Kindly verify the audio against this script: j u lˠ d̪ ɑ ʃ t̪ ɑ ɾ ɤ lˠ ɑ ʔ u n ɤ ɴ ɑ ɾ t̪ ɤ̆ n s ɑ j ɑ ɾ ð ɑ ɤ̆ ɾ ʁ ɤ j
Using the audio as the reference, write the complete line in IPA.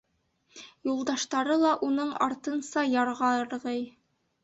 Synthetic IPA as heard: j u lˠ d̪ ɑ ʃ t̪ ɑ ɾ ɤ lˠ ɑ ʔ u n ɤ ɴ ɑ ɾ t̪ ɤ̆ n s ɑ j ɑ ɾ ʁ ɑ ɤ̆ ɾ ʁ ɤ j